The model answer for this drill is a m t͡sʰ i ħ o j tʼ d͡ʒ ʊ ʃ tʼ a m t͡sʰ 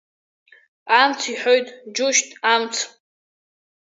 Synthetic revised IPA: a m t͡sʰ i ħ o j tʼ d͡ʒ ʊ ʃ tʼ a m t͡sʰ